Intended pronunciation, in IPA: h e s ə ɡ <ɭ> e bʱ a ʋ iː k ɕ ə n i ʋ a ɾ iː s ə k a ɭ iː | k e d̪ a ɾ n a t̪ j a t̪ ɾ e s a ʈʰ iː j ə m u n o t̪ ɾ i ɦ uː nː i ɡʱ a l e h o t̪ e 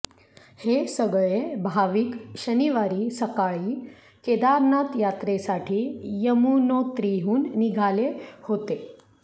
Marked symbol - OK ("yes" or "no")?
yes